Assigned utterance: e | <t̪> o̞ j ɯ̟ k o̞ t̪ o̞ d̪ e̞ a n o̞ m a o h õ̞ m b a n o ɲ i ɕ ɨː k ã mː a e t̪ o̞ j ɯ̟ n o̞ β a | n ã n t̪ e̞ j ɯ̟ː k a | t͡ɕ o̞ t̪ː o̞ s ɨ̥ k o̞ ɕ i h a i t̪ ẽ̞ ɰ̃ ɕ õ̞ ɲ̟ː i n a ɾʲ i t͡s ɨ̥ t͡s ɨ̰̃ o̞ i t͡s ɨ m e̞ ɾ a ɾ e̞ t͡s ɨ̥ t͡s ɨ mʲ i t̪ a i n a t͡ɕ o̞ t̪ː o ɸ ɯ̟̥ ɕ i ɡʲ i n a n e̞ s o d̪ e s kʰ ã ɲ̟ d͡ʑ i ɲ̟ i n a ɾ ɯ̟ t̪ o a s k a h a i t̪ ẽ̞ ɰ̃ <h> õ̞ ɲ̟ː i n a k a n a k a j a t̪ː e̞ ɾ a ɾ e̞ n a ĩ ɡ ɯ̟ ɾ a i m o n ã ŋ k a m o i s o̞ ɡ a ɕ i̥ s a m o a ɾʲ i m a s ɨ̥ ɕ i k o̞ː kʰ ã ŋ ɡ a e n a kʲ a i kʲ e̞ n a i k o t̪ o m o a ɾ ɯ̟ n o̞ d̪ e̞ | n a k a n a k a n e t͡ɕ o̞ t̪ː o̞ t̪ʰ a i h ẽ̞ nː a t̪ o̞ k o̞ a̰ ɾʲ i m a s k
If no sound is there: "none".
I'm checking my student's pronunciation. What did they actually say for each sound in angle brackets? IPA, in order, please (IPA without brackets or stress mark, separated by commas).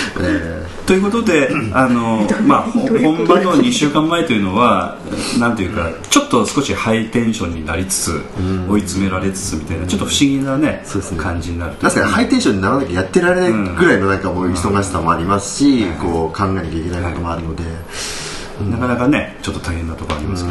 t̪, ɕ